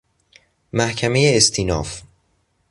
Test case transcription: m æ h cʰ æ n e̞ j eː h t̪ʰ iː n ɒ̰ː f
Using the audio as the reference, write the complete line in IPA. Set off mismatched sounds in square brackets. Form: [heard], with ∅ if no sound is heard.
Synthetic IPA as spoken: m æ h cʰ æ [m] e̞ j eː [s] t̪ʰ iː n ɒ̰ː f